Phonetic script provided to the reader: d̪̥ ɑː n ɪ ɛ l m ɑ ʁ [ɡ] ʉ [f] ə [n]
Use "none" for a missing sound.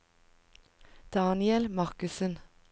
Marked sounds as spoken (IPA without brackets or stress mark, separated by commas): k, s, n